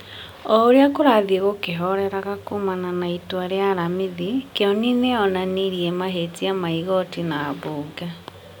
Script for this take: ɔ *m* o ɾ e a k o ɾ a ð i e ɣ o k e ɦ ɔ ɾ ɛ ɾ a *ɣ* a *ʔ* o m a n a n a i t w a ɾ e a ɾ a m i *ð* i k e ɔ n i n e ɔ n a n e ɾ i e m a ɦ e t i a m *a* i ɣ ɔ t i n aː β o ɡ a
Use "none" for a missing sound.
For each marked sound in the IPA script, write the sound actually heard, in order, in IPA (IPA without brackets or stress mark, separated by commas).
none, ɣ, k, ð, a